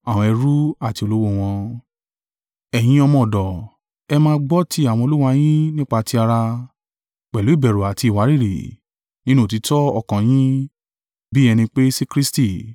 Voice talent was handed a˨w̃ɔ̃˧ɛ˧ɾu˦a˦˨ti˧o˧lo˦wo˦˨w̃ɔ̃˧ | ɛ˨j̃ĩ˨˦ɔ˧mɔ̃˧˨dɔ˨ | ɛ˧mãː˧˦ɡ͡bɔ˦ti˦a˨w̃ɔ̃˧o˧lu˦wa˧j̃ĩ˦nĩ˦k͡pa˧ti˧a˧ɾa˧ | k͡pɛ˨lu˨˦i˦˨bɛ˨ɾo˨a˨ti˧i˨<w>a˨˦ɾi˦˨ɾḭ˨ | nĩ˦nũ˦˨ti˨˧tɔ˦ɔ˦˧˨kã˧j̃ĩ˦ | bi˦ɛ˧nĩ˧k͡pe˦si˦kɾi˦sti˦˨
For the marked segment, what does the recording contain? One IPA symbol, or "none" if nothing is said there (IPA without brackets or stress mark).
w